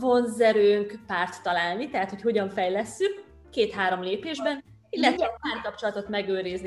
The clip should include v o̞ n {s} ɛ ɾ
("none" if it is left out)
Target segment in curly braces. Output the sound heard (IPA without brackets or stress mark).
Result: z